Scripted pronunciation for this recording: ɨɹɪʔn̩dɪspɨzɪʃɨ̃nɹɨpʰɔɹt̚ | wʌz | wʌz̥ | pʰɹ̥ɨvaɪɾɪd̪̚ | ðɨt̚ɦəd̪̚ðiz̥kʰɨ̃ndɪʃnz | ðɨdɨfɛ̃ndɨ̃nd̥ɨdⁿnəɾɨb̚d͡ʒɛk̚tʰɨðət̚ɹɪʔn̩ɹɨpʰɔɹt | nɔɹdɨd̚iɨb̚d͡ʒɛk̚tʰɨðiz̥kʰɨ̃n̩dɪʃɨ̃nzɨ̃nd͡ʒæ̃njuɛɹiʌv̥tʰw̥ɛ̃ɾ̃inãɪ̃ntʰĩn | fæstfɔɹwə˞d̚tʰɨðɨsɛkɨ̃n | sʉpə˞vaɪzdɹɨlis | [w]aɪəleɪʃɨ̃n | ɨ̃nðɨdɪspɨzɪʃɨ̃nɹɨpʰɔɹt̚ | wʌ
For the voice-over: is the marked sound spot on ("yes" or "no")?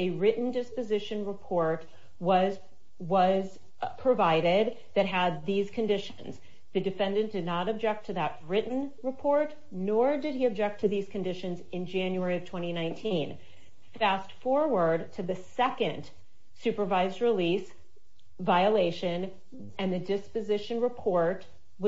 no